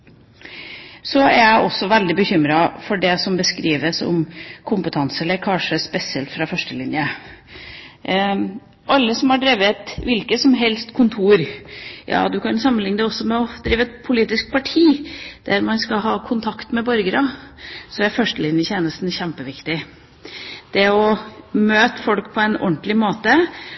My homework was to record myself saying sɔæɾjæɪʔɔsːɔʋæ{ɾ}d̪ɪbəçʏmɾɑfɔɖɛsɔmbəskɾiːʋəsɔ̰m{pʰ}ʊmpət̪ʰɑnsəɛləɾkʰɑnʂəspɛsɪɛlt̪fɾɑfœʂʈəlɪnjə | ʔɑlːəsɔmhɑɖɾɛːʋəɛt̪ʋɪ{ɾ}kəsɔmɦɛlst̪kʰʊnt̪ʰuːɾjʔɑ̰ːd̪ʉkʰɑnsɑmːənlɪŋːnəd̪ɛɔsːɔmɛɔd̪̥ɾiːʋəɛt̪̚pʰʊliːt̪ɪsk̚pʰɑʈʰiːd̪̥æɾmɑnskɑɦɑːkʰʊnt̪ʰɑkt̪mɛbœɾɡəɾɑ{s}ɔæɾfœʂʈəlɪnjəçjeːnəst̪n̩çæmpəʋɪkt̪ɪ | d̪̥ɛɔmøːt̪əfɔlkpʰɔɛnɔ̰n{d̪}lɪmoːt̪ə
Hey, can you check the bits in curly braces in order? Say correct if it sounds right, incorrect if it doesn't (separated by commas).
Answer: incorrect, incorrect, incorrect, correct, incorrect